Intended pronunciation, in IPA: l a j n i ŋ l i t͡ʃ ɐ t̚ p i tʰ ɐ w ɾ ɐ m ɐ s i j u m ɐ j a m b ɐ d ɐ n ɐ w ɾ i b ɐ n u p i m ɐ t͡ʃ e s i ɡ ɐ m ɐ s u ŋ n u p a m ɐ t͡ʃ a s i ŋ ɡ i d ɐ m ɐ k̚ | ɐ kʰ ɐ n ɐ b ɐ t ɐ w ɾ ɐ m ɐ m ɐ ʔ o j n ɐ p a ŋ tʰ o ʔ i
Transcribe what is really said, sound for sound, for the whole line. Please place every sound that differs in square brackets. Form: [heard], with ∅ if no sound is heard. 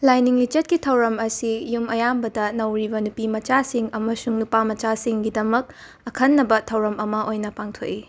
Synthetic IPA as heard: l a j n i ŋ l i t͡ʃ ɐ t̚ [k] i tʰ ɐ w ɾ ɐ m ɐ s i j u m ɐ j a m b ɐ d ɐ n ɐ w ɾ i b ɐ n u p i m ɐ t͡ʃ [a] s i [ŋ] ɐ m ɐ s u ŋ n u p a m ɐ t͡ʃ a s i ŋ ɡ i d ɐ m ɐ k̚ | ɐ kʰ ɐ [nː] ɐ b ɐ [tʰ] ɐ w ɾ ɐ m ɐ m ɐ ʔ o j n ɐ p a ŋ tʰ o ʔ i